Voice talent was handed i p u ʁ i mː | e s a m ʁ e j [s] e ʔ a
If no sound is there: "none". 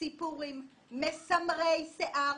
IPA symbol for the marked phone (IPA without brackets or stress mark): s